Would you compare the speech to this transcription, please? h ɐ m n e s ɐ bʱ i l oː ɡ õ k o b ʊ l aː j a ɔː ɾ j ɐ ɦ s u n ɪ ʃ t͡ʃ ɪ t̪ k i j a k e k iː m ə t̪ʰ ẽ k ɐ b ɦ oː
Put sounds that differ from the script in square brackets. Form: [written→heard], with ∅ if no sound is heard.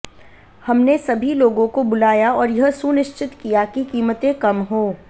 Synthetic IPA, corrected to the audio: h ɐ m n e s ɐ bʱ i l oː ɡ õ k o b ʊ l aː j a ɔː ɾ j ɐ ɦ s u n ɪ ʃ t͡ʃ ɪ t̪ k i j a k [e→i] k iː m ə [t̪ʰ→t̪] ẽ k ɐ [b→m] ɦ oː